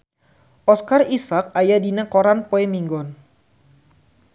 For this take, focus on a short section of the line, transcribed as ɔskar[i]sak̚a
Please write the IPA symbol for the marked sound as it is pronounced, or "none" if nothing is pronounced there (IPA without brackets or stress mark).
i